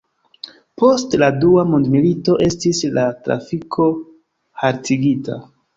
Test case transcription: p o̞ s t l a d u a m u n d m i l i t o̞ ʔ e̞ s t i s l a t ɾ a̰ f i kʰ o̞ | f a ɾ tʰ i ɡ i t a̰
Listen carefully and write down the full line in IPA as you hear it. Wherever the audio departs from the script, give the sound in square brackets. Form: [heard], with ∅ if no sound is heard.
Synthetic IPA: p o̞ s t l a d u a m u n d m i l i t o̞ ʔ e̞ s t i s l a t ɾ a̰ f i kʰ o̞ | [h] a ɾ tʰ i ɡ i t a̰

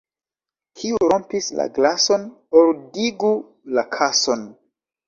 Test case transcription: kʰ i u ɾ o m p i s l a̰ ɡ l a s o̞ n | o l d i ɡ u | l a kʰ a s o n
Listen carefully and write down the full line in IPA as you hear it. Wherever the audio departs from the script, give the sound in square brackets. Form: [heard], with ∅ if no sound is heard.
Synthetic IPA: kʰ i u ɾ o m p i s l a̰ ɡ l a s o̞ n | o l d i ɡ u | l a kʰ a s o n

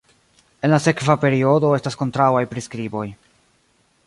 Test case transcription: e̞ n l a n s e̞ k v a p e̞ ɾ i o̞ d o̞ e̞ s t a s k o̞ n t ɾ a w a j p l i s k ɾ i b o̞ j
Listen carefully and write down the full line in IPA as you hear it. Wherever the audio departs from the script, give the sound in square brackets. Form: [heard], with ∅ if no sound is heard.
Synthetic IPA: e̞ n l a [∅] s e̞ k v a p e̞ ɾ i o̞ d o̞ e̞ s t a s k o̞ n t ɾ a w a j p [ɾ] i s k ɾ i b o̞ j

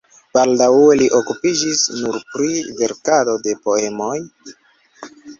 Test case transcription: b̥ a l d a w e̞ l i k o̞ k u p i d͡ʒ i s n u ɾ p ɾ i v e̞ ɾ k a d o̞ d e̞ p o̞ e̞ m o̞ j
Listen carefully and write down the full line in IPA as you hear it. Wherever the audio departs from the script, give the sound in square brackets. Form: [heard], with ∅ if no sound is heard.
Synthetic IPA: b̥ a l d a w e̞ l i [ʔ] o̞ k u p i d͡ʒ i s n u ɾ p ɾ i v e̞ ɾ k a d o̞ d e̞ p o̞ e̞ m o̞ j

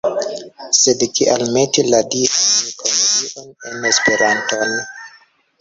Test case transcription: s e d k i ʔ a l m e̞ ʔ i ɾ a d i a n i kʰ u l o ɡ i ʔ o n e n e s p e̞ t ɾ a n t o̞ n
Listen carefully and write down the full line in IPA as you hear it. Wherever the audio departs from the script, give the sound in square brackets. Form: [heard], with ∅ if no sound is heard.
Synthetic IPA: s e d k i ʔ a l m e̞ [t] i [l] a d i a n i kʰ [o] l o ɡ i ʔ o n e n e s p e̞ [∅] ɾ a n t o̞ n

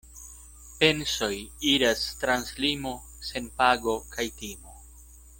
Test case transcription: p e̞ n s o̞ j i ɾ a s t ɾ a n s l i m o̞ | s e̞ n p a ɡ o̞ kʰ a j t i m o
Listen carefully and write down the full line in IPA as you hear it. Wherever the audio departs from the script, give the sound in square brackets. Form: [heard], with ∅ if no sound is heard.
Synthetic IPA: p e̞ n s o̞ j i ɾ a s t ɾ a n s l i m o̞ | s e̞ n p a ɡ o̞ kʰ a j t i m o

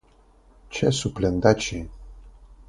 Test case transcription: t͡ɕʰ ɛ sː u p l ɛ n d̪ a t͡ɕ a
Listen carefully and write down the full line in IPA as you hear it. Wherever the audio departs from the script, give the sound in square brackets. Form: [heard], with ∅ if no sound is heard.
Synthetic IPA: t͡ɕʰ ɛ [s] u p l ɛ n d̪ a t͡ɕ [i]

